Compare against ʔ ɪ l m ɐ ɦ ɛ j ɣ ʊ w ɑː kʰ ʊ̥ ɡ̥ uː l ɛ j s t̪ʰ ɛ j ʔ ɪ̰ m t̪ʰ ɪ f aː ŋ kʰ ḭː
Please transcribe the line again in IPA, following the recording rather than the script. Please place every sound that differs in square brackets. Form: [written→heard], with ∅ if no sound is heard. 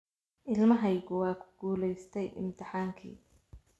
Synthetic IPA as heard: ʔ ɪ l m ɐ ɦ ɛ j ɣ ʊ w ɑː kʰ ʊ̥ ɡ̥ uː l ɛ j s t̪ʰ ɛ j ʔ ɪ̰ m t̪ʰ ɪ [f→ħ] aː ŋ kʰ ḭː